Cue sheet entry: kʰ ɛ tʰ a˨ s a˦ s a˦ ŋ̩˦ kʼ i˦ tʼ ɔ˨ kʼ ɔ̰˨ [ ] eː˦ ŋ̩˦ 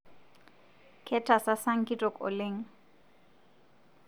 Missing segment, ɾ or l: l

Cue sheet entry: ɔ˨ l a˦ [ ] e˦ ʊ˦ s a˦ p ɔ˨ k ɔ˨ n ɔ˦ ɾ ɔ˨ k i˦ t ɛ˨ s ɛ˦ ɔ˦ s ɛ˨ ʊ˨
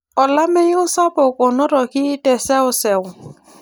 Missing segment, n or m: m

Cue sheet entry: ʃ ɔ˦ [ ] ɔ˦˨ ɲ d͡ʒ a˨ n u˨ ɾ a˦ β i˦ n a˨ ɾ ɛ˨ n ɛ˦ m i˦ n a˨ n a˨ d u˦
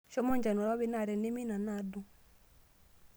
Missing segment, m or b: m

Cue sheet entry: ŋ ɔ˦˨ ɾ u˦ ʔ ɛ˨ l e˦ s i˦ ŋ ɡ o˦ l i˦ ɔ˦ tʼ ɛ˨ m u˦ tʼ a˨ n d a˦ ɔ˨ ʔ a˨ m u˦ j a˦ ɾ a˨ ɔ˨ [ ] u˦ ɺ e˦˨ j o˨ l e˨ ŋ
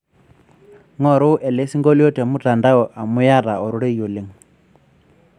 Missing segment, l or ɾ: ɾ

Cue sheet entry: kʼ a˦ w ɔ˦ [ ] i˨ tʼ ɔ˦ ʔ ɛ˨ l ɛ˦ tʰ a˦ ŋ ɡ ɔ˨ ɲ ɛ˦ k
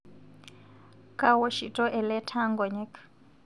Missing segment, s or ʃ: ʃ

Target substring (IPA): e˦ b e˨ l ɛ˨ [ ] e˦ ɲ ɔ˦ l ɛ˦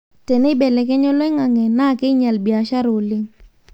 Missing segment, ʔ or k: k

